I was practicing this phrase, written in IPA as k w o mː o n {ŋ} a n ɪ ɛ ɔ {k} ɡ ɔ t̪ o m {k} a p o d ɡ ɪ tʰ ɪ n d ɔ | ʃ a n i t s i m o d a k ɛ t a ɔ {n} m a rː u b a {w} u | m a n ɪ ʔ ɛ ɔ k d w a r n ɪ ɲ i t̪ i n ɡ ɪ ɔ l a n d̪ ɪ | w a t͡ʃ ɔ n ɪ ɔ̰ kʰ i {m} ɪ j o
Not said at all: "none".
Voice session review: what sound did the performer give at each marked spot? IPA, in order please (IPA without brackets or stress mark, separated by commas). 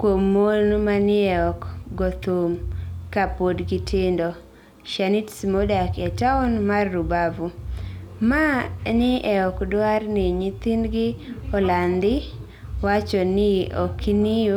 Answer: m, k, k, n, v, n